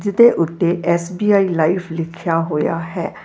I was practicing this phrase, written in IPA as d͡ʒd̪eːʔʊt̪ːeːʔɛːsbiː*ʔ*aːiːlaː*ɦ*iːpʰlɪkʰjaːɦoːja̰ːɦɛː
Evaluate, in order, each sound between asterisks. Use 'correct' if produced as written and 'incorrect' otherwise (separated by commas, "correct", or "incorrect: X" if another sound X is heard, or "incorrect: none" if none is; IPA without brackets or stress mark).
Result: incorrect: none, incorrect: none